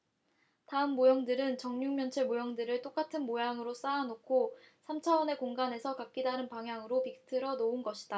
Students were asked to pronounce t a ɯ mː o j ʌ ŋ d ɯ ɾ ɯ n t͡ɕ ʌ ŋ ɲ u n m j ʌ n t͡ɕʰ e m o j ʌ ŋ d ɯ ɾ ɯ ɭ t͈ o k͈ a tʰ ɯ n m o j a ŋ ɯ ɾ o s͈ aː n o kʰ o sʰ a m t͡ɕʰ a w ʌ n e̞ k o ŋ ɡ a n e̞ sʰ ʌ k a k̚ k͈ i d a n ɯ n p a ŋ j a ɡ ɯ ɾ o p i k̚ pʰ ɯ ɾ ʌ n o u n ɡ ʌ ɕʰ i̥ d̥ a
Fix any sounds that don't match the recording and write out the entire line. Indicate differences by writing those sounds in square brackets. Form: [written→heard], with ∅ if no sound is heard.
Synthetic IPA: t a ɯ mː o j ʌ ŋ d ɯ ɾ ɯ n t͡ɕ ʌ ŋ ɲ u [n→ŋ] m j ʌ n t͡ɕʰ e m o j ʌ ŋ d ɯ ɾ ɯ ɭ t͈ o k͈ a tʰ ɯ n m o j a ŋ ɯ ɾ o s͈ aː n o kʰ o sʰ a m t͡ɕʰ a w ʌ n e̞ k o ŋ ɡ a n e̞ sʰ ʌ k a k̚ k͈ i d a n ɯ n p a ŋ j a [ɡ→ŋ] ɯ ɾ o p i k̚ [pʰ→tʰ] ɯ ɾ ʌ n o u n ɡ ʌ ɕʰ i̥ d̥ a